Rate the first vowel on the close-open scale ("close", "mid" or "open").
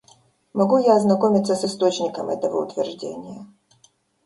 open